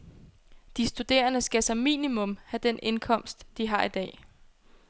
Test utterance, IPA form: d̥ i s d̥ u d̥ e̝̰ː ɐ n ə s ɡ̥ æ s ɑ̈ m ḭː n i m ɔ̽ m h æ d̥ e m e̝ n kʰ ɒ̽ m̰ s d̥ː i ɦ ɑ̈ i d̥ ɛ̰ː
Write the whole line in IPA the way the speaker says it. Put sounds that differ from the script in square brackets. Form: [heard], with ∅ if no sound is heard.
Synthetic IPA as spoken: d̥ i s d̥ u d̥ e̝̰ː ɐ n ə s ɡ̥ æ s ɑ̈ m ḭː n i m ɔ̽ m h æ d̥ e [n] e̝ n kʰ ɒ̽ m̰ s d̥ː i ɦ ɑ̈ i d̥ ɛ̰ː